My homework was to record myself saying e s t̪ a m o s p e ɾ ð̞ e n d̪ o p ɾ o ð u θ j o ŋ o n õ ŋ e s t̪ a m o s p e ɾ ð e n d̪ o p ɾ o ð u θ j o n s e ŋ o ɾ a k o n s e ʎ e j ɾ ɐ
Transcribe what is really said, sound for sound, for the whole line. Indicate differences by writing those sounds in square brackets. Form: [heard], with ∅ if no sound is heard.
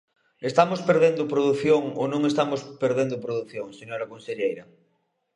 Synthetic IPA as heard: e s t̪ a m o s p e ɾ ð̞ e n d̪ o p ɾ o ð u θ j o ŋ o n õ ŋ e s t̪ a m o s p e ɾ ð e n d̪ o p ɾ o ð u θ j o [ŋ] s e [ɲ] o ɾ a k o n s e ʎ e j ɾ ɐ